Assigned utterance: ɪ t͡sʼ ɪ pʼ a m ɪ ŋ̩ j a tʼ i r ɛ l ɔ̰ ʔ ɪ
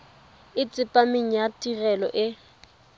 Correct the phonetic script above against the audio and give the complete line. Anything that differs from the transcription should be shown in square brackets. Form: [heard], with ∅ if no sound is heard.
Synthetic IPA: ɪ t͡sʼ ɪ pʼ a m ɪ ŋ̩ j a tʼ i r ɛ l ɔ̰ ʔ ɪ